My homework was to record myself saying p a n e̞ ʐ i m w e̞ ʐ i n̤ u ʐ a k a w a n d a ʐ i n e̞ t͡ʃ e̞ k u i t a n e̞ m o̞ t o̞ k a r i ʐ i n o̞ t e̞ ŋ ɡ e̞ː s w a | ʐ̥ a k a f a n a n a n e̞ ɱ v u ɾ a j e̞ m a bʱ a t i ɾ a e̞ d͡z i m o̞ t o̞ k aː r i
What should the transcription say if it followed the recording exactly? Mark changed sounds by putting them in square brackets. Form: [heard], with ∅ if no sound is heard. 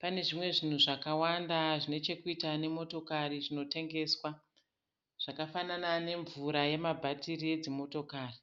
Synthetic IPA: p a n e̞ ʐ i m w e̞ ʐ i n̤ u ʐ a k a w a n d a ʐ i n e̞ t͡ʃ e̞ k u i t a n e̞ m o̞ t o̞ k a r i ʐ i n o̞ t e̞ ŋ ɡ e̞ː s w a | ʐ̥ a k a f a n a n a n e̞ ɱ v u ɾ a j e̞ m a bʱ a t i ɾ [i] e̞ d͡z i m o̞ t o̞ k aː r i